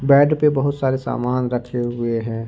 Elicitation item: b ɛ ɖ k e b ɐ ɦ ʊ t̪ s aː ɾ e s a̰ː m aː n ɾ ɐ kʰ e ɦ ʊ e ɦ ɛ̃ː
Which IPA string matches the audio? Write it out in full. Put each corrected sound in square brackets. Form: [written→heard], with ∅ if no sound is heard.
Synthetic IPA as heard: b [ɛ→ɛː] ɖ [k→p] e b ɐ ɦ ʊ t̪ s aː ɾ e s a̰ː m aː n ɾ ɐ kʰ e ɦ ʊ e ɦ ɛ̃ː